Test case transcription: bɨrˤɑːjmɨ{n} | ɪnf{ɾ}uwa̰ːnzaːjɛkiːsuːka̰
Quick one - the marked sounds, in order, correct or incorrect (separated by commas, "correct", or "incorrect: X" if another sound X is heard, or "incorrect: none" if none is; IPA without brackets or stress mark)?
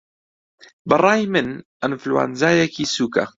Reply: correct, incorrect: l